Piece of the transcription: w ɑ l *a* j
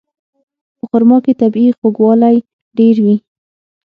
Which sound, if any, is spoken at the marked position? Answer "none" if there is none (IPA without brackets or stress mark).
a